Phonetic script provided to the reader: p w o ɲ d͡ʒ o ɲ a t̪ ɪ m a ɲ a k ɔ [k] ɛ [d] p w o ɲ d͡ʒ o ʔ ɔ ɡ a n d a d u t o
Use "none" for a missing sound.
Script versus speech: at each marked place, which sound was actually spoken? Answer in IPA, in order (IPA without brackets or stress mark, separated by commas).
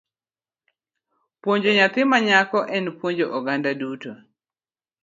ʔ, n